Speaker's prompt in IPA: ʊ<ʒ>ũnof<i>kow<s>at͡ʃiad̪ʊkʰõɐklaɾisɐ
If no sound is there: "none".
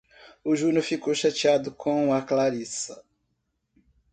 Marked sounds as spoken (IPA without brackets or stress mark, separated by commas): ʒ, i, ʃ